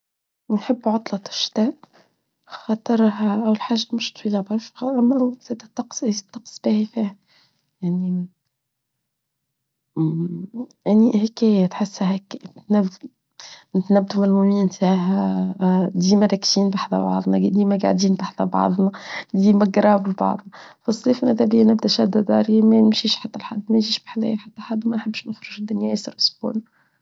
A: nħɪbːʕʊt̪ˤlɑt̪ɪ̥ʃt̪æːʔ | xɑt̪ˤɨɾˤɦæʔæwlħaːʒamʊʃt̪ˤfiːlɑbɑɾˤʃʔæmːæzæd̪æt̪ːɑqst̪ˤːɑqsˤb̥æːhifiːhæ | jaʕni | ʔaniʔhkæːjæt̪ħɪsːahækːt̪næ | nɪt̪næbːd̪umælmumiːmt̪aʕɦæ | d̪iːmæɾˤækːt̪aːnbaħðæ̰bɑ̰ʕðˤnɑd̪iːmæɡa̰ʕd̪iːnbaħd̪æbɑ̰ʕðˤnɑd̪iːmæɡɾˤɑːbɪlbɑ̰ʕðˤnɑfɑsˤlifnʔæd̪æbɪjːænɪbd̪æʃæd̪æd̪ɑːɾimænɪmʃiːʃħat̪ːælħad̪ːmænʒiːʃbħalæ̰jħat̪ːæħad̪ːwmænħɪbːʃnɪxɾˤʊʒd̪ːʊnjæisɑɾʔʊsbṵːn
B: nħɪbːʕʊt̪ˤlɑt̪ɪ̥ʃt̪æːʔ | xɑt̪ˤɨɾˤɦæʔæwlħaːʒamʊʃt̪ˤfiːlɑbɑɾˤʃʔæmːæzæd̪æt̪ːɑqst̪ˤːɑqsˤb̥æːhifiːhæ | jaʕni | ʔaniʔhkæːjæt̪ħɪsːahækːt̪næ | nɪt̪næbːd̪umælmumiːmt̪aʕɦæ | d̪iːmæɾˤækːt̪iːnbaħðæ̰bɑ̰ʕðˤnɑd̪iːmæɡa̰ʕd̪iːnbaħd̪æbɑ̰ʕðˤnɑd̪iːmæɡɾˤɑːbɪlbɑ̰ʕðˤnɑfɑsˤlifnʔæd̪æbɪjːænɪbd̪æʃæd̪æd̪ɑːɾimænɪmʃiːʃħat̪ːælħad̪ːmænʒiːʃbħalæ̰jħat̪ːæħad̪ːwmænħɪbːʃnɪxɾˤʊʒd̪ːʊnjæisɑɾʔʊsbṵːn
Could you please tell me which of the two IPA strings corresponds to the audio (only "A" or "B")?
B